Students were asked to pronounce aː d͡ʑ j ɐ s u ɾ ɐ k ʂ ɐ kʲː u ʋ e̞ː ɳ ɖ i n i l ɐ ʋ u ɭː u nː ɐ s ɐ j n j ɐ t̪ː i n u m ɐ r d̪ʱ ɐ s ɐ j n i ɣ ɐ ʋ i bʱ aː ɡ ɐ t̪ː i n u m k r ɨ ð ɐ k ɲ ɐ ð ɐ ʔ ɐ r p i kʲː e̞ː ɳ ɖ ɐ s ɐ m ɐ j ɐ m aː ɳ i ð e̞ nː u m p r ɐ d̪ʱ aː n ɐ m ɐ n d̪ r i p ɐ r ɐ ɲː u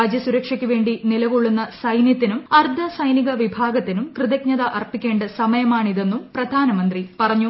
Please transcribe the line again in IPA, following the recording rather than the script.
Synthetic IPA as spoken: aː d͡ʑ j ɐ s u ɾ ɐ k ʂ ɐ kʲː u ʋ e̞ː ɳ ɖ i n i l ɐ ʋ u ɭː u nː ɐ s ɐ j n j ɐ t̪ː i n u m ɐ r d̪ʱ ɐ s ɐ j n i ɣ ɐ ʋ i bʱ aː ɡ ɐ t̪ː i n u m k r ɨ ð ɐ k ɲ ɐ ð ɐ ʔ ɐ r p i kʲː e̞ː ɳ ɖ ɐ s ɐ m ɐ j ɐ m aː ɳ i ð e̞ nː u m p r ɐ d̪ʱ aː n ɐ m ɐ n d̪ r i p ɐ r ɐ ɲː u

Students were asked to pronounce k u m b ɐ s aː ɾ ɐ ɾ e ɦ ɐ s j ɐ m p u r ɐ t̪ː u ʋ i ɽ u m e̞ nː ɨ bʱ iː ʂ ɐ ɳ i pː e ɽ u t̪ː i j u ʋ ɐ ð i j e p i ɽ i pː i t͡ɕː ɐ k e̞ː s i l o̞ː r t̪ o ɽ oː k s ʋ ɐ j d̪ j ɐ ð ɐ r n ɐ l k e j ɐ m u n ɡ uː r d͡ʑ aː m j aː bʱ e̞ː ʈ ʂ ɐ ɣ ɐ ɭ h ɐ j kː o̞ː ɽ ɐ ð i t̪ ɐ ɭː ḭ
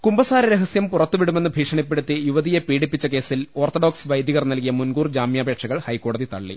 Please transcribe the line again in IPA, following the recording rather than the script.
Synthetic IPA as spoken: k u m b ɐ s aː ɾ ɐ ɾ e ɦ ɐ s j ɐ m p u r ɐ t̪ː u ʋ i ɽ u m e̞ nː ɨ bʱ iː ʂ ɐ ɳ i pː e ɽ u t̪ː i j u ʋ ɐ ð i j e p iː ɽ i pː i t͡ɕː ɐ k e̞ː s i l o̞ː r t̪ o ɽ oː k s ʋ ɐ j d̪ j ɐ ɣ ɐ r n ɐ l k i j ɐ m u n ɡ uː r d͡ʑ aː m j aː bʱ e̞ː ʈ ʂ ɐ ɣ ɐ ɭ h ɐ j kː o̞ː ɽ ɐ ð i t̪ ɐ ɭː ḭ

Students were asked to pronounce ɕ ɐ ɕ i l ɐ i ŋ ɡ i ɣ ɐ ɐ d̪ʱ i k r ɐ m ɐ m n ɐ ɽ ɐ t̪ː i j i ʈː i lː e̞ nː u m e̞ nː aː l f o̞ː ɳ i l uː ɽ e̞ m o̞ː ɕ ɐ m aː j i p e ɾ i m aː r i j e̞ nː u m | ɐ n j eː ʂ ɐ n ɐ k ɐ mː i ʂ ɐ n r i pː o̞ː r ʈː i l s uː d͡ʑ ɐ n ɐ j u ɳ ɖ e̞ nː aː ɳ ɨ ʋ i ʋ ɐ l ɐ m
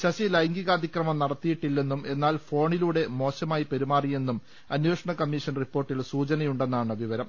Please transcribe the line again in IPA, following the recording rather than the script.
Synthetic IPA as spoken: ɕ ɐ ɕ i l ɐ j ŋ ɡ i ɣ ɐ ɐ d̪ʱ i k r ɐ m ɐ m n ɐ ɽ ɐ t̪ː i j i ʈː i lː e̞ nː u m e̞ nː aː l f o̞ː ɳ i l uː ɽ e̞ m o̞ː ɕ ɐ m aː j i p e ɾ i m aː r i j e̞ nː u m | ɐ n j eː ʂ ɐ ɳ ɐ k ɐ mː i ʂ ɐ n r i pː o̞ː r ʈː i l s uː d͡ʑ ɐ n ɐ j u ɳ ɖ e̞ nː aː ɳ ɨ ʋ i ʋ ɐ ɾ ɐ m

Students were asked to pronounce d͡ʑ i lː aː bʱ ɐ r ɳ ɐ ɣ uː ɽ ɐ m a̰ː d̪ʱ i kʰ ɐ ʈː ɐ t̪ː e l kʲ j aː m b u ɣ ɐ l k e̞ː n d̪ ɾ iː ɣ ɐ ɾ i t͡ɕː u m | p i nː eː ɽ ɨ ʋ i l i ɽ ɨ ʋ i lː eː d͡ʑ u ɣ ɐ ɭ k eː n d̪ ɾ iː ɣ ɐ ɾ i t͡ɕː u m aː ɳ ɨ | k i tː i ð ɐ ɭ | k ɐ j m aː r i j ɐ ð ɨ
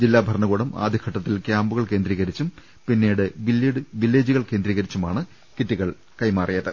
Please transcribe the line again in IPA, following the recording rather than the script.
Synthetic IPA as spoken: d͡ʑ i lː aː bʱ ɐ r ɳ ɐ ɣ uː ɽ ɐ m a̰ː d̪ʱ i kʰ ɐ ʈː ɐ t̪ː i l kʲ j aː m b u ɣ ɐ ɭ k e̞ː n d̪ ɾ iː ɣ ɐ ɾ i t͡ɕː u m | p i nː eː ɽ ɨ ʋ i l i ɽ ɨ ʋ i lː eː d͡ʑ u ɣ ɐ ɭ k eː n d̪ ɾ iː ɣ ɐ ɾ i t͡ɕː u m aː ɳ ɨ | k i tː i ɣ ɐ ɭ | k ɐ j m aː r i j ɐ ð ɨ

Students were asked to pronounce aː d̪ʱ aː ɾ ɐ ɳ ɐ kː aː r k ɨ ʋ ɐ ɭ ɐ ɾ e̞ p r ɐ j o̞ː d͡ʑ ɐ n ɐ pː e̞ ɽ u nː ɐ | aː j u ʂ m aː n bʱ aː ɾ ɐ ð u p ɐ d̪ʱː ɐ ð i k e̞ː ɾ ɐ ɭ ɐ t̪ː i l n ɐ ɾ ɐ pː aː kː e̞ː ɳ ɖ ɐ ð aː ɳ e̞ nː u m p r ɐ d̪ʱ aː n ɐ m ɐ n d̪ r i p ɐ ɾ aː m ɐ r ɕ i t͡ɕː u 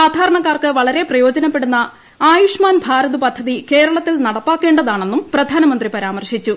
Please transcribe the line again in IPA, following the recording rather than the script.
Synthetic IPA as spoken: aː d̪ʱ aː ɾ ɐ ɳ ɐ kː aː r k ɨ ʋ ɐ ɭ ɐ ɾ e̞ p r ɐ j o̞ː d͡ʑ ɐ n ɐ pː e̞ ɽ u nː ɐ | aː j u ʂ m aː n bʱ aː ɾ ɐ ð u p ɐ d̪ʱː ɐ ð i k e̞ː ɾ ɐ ɭ ɐ t̪ː i l n ɐ ɽ ɐ pː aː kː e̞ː ɳ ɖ ɐ ð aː ɳ e̞ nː u m p r ɐ d̪ʱ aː n ɐ m ɐ n d̪ r i p ɐ ɾ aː m ɐ r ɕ i t͡ɕː u

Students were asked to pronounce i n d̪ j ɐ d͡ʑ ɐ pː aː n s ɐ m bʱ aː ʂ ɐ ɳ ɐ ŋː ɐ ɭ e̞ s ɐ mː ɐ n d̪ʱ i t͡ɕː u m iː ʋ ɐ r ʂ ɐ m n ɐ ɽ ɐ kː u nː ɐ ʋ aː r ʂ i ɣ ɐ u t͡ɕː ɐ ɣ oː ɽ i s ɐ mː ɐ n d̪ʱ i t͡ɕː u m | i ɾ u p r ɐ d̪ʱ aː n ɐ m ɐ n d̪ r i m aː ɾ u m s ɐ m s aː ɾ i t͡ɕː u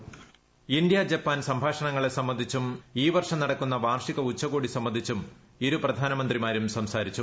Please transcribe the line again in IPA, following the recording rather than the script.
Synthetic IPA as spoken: i n d̪ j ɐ d͡ʑ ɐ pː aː n s ɐ m bʱ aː ʂ ɐ ɳ ɐ ŋː ɐ ɭ e̞ s ɐ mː ɐ n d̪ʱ i t͡ɕː u m iː ʋ ɐ r ʂ ɐ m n ɐ ɽ ɐ kː u nː ɐ ʋ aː r ʂ i ɣ ɐ u t͡ɕː ɐ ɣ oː ɽ i s ɐ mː ɐ n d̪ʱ i t͡ɕː u m | i ɾ u p r ɐ d̪ʱ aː n ɐ m ɐ n d̪ r i m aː ɾ u m s ɐ m s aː ɾ i t͡ɕː u

